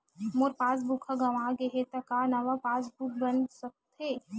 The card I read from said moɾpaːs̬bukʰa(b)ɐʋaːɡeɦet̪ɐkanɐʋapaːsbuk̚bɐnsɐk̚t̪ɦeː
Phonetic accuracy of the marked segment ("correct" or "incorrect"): incorrect